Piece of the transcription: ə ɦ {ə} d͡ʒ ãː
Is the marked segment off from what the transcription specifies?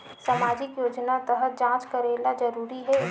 no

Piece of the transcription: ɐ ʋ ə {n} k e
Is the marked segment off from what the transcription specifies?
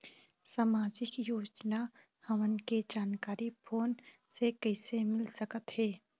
no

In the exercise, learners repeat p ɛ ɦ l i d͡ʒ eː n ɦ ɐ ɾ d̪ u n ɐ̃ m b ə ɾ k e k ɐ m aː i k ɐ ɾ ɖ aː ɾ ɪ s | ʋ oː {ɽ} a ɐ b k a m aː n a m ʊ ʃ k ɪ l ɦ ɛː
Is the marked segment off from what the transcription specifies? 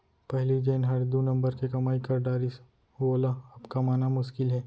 yes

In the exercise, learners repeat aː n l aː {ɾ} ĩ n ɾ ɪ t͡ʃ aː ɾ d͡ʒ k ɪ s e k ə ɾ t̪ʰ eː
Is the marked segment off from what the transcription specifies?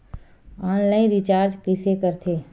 yes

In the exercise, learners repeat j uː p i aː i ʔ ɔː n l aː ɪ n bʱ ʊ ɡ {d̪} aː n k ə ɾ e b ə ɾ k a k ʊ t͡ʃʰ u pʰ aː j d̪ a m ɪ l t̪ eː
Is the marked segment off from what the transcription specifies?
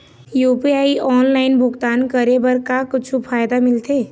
yes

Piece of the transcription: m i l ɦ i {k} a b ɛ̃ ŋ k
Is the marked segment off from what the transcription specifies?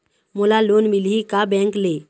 no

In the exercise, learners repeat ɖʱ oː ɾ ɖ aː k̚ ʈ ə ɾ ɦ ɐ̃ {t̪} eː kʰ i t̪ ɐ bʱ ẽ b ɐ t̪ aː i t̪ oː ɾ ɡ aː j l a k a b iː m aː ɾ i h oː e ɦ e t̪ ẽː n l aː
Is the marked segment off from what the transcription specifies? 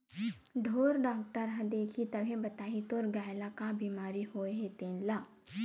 yes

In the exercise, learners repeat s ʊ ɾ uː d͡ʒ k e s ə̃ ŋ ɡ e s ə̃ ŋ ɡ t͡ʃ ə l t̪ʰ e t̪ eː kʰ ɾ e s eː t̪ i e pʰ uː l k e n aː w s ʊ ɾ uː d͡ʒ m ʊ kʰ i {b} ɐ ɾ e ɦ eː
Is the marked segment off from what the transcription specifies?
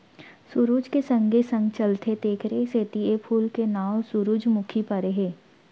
yes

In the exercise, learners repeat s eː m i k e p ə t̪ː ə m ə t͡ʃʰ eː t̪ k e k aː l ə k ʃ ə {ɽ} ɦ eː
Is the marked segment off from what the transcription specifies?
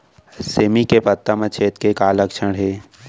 no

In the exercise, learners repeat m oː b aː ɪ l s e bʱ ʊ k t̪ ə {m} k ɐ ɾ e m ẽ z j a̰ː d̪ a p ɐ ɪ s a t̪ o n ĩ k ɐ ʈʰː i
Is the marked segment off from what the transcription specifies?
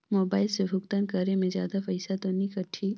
yes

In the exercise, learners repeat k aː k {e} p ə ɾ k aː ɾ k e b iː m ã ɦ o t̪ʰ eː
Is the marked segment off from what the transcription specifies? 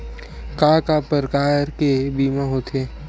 yes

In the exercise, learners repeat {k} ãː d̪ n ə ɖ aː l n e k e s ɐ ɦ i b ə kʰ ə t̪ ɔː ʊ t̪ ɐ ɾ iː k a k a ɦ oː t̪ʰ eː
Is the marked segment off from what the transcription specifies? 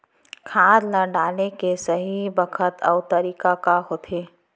yes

